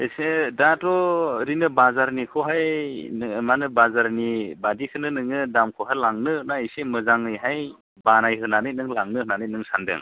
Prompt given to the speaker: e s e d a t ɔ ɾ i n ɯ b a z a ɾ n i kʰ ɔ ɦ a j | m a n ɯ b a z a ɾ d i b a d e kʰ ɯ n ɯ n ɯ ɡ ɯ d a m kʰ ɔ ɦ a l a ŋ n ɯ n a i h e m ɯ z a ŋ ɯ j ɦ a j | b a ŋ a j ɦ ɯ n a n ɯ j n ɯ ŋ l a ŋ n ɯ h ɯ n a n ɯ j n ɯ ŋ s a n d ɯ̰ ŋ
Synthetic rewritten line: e s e d a t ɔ ɾ i n ɯ b a z a ɾ n i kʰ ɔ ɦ a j | m a n ɯ b a z a ɾ n i b a d i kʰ ɯ n ɯ n ɯ ŋ ɯ d a m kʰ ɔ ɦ a l a ŋ n ɯ n a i s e m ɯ z a ŋ ɯ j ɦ a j | b a n a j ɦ ɯ n a n ɯ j n ɯ ŋ l a ŋ n ɯ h ɯ n a n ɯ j n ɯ ŋ s a n d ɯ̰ ŋ